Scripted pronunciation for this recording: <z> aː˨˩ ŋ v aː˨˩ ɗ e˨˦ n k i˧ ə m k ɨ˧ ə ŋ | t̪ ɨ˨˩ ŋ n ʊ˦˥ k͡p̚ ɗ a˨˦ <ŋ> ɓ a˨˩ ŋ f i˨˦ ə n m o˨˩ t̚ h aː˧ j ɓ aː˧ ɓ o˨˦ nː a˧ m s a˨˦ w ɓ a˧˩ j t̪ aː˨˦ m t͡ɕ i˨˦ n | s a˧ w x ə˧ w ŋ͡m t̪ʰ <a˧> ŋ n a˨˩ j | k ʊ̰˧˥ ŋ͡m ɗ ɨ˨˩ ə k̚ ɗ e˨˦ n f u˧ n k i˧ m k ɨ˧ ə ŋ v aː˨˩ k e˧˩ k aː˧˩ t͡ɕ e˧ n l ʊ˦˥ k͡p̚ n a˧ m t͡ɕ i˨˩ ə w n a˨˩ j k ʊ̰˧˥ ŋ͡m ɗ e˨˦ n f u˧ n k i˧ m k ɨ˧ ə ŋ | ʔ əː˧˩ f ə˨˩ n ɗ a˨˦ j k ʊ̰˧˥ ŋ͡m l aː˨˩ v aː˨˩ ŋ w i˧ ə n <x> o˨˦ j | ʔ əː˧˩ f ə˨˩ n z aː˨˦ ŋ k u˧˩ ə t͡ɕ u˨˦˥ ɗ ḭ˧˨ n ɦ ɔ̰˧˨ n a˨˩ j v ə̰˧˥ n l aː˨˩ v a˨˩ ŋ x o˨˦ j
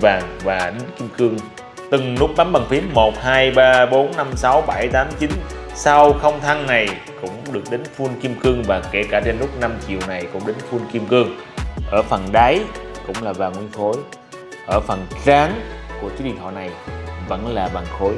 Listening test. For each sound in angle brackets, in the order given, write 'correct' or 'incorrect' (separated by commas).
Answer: incorrect, incorrect, correct, correct